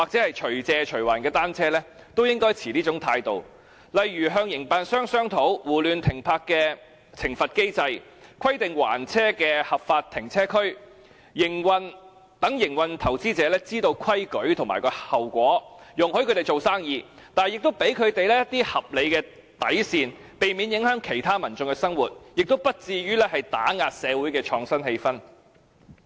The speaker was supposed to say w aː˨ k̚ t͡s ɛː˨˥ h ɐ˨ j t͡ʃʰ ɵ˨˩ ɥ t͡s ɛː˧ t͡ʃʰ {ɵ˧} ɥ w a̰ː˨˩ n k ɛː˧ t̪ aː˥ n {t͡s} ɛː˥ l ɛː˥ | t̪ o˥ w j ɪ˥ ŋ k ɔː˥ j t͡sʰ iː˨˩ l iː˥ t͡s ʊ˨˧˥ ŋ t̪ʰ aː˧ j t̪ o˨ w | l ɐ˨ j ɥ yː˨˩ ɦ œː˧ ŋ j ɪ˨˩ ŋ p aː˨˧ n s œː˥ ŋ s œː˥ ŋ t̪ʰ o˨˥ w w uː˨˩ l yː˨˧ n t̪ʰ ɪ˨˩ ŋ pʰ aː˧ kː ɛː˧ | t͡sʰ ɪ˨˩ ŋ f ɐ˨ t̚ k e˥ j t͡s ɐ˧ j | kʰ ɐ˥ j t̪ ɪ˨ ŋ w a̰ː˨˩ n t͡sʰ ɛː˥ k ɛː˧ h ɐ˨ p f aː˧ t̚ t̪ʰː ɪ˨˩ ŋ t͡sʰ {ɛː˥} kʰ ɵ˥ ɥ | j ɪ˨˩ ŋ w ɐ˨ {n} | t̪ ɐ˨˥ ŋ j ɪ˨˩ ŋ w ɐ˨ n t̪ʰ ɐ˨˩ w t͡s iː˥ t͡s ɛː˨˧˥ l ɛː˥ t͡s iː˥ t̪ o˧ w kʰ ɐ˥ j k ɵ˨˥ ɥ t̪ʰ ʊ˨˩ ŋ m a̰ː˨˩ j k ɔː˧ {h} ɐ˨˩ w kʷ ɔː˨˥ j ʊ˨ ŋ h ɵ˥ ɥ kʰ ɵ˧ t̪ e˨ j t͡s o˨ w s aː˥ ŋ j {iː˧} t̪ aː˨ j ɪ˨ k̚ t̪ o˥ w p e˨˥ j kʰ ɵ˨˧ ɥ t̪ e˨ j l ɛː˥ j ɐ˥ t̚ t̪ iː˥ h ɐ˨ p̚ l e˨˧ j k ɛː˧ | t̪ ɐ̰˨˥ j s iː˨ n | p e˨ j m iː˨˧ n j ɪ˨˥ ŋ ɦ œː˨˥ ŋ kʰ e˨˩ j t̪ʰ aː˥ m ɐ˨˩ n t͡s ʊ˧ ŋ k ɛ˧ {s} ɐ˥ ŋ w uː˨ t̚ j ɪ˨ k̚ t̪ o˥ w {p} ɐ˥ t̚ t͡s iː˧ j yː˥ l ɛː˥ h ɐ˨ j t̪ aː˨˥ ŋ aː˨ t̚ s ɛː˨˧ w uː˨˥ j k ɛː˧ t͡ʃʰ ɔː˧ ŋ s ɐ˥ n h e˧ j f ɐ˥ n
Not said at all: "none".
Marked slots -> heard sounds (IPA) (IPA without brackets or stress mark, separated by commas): ɵ˨˩, t͡sʰ, ɛː˥, n, h, iː˧, s, p